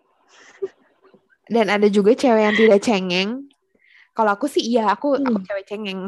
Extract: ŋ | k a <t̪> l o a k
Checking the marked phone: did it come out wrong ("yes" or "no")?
yes